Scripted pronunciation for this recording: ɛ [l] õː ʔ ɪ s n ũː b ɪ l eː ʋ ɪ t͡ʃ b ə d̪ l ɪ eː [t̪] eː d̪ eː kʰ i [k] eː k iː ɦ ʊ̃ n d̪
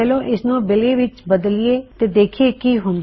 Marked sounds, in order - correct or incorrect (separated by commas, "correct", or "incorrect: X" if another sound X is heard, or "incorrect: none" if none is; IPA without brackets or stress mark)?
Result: correct, correct, incorrect: none